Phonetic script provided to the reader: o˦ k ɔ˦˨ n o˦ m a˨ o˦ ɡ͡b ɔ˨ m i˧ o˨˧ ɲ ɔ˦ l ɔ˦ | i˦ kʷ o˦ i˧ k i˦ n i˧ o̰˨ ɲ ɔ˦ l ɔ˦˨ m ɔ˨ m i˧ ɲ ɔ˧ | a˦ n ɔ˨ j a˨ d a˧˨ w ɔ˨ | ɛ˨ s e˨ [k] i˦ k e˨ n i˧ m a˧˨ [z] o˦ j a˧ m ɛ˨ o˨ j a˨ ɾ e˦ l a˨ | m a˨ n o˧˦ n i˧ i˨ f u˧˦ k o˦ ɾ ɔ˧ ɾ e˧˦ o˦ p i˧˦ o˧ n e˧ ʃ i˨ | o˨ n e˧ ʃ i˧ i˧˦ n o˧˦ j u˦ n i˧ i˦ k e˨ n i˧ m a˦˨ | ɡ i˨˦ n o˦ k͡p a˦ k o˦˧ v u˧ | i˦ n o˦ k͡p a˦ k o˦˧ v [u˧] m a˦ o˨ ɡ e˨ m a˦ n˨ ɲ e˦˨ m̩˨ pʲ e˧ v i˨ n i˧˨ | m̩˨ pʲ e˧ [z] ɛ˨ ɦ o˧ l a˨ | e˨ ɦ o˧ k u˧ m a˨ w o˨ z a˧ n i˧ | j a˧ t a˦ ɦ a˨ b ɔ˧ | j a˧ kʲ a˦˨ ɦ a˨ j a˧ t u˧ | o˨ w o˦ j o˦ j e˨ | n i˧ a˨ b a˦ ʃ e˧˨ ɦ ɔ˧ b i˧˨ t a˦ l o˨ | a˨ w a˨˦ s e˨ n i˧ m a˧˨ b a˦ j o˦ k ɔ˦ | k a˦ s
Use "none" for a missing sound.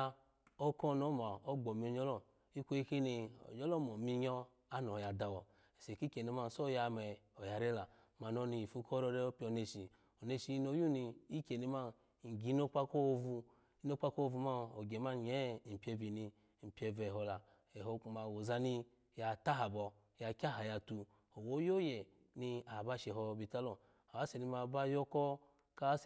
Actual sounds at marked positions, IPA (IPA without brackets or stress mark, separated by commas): k, s, u˧, v